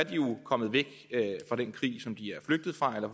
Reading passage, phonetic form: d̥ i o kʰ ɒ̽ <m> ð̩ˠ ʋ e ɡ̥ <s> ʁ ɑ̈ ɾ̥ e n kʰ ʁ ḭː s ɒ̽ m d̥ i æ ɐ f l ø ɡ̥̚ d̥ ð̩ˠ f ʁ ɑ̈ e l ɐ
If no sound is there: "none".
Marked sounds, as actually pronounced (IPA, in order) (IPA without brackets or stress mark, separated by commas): m, f